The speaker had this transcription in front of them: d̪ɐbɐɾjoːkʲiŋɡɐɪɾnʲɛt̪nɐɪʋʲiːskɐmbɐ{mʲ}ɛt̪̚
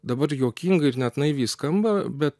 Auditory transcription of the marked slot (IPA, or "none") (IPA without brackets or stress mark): bʲ